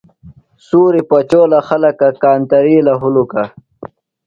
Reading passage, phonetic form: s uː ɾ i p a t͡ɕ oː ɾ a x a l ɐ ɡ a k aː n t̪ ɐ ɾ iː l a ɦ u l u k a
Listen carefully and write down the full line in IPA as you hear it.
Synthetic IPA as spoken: s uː ɾ i p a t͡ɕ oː l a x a l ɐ k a k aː n t̪ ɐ ɾ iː l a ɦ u l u k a